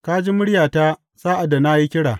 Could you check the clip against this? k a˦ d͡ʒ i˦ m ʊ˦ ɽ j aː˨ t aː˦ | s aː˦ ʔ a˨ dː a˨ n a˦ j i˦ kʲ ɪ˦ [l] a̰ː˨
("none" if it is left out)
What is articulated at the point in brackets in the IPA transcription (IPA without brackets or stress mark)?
ɽ